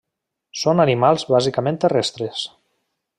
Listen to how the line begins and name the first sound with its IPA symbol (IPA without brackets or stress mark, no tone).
s